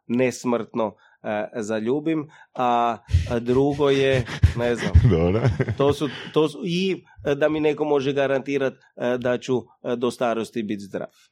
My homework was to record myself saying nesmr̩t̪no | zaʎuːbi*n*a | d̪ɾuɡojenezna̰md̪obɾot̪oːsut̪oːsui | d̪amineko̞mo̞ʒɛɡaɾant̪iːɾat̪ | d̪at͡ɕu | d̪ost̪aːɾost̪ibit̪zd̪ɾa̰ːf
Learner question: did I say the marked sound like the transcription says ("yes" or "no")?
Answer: no